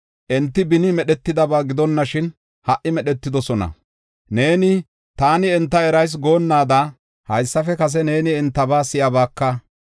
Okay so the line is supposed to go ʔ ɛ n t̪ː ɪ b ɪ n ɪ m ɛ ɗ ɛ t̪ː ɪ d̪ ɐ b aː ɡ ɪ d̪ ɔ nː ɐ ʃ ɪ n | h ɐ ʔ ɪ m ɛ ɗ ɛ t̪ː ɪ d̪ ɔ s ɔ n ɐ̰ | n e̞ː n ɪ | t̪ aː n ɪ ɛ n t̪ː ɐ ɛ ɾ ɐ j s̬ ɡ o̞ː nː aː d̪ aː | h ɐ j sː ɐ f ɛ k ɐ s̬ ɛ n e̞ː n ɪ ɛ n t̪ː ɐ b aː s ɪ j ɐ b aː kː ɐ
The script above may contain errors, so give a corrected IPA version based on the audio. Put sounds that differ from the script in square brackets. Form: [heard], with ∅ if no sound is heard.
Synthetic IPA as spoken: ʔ ɛ n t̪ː ɪ b ɪ n ɪ m ɛ ɗ ɛ t̪ː ɪ d̪ ɐ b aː ɡ ɪ d̪ ɔ nː ɐ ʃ ɪ n | h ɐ ʔ ɪ m ɛ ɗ ɛ t̪ː ɪ d̪ ɔ s ɔ n ɐ̰ | n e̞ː n ɪ | t̪ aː n ɪ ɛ n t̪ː ɐ ɛ ɾ ɐ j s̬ ɡ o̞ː nː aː d̪ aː | h ɐ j sː ɐ f ɛ k ɐ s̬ ɛ n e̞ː n ɪ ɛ n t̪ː ɐ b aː s ɪ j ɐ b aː kː ɐ